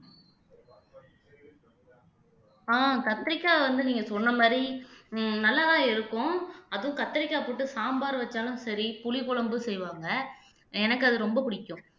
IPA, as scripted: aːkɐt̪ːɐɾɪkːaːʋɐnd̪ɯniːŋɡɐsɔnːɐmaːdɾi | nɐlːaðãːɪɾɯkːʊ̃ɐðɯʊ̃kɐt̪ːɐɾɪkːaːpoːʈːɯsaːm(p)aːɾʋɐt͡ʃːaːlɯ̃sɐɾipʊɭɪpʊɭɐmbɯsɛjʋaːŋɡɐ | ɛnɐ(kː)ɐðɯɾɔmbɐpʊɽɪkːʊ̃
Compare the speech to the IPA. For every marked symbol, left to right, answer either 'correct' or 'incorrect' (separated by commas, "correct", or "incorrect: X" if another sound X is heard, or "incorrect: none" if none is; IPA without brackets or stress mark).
incorrect: b, correct